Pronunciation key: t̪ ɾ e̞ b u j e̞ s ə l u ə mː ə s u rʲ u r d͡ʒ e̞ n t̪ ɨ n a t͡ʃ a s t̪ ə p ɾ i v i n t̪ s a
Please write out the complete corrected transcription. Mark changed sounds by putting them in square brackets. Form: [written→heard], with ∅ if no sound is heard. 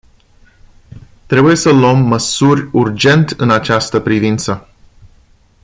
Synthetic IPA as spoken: t̪ ɾ e̞ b u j e̞ s ə l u ə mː ə s u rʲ u r d͡ʒ e̞ n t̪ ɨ n a t͡ʃ a s t̪ ə p ɾ i v i n t̪ s [a→ə]